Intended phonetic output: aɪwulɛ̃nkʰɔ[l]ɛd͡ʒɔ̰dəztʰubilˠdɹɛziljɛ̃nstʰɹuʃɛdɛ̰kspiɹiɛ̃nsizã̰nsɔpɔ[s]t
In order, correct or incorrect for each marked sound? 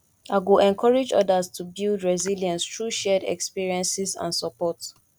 incorrect: ɹ, incorrect: none

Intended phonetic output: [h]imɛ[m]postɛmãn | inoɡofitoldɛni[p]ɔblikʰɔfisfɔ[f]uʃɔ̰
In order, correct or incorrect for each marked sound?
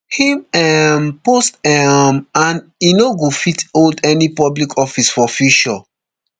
correct, correct, correct, correct

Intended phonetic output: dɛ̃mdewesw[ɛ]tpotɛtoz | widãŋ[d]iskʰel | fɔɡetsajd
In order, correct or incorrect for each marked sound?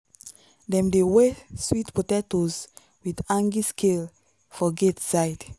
incorrect: i, incorrect: ɡ

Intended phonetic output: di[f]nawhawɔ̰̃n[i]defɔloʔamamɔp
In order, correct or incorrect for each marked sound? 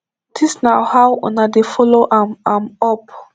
incorrect: s, incorrect: a

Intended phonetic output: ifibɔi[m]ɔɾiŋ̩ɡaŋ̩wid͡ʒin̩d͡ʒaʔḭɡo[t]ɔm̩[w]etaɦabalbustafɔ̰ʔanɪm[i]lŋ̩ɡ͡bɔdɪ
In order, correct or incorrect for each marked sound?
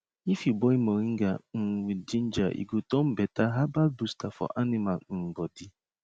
correct, correct, incorrect: b, incorrect: a

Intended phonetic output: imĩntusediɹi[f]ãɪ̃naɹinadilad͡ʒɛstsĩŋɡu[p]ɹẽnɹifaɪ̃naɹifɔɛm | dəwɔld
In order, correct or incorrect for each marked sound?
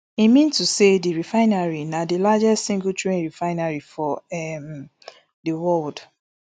correct, incorrect: t

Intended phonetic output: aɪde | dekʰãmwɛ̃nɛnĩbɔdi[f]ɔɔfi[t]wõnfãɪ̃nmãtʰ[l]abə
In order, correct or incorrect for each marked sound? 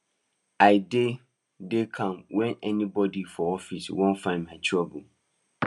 correct, incorrect: s, incorrect: ɹ

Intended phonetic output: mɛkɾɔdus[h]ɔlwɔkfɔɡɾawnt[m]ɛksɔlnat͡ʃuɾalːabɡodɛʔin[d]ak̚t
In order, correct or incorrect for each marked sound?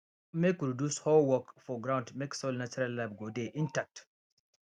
correct, correct, incorrect: t

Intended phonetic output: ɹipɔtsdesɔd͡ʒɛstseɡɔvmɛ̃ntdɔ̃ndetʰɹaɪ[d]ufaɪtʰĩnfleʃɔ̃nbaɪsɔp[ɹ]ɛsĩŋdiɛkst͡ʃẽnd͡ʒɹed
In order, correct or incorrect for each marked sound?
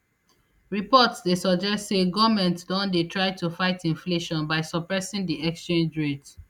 incorrect: t, correct

